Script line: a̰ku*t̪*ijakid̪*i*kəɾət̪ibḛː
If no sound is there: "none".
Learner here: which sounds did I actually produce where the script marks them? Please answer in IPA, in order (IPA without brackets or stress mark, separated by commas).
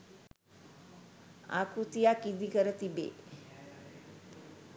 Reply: t̪, i